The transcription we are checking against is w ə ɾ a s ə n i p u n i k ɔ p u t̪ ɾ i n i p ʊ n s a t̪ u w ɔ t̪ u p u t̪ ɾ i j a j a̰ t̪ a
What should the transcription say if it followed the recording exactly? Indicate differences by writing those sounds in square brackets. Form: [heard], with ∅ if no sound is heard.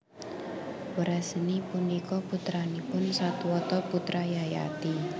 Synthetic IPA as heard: w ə ɾ a s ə n i p u n i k ɔ p u t̪ ɾ [a] n i p ʊ n s a t̪ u w ɔ t̪ [ɔ] p u t̪ ɾ [a] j a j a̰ t̪ [i]